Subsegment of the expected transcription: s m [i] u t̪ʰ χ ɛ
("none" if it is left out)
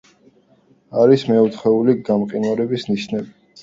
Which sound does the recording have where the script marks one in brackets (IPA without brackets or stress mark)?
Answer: ɛ